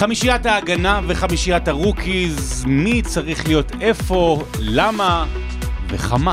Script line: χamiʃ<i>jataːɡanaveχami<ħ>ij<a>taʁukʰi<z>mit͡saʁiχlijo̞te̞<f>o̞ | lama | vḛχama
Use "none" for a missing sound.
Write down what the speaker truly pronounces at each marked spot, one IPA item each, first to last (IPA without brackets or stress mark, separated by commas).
i, ʃ, a, z, f